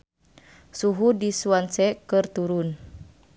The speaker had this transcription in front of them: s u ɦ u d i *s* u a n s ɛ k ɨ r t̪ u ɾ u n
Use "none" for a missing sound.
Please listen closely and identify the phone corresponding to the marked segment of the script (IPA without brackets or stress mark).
s